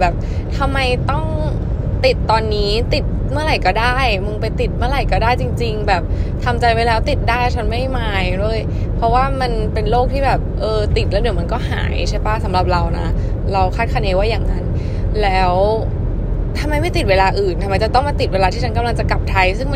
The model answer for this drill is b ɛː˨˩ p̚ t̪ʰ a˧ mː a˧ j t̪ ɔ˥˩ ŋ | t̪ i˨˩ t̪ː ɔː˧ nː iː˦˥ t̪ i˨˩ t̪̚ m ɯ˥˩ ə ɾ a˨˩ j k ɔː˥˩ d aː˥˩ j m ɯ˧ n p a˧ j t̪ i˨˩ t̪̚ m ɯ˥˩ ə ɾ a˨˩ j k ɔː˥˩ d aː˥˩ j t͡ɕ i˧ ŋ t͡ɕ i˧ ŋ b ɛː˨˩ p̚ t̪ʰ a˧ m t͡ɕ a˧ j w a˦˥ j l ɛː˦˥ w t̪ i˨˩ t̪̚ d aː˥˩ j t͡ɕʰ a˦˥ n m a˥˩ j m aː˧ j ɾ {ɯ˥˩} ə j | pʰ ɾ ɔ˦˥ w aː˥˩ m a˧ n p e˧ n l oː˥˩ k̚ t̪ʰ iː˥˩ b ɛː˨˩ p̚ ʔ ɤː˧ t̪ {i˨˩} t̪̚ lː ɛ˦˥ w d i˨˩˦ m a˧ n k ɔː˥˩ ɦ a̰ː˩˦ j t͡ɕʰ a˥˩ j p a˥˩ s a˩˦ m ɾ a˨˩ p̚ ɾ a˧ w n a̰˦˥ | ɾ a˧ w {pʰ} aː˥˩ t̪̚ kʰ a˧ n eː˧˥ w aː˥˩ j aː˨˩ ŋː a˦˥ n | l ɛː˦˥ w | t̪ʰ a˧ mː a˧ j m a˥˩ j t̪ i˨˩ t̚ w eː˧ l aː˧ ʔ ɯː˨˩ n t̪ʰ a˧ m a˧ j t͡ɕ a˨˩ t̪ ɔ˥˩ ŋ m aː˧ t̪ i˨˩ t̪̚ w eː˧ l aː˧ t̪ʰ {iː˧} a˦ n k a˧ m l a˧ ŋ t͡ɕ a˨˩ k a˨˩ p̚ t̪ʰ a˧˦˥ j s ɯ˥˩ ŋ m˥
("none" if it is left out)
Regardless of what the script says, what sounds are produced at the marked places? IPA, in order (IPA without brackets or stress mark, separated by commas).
u˥˩, i˨˩, kʰ, iː˥˩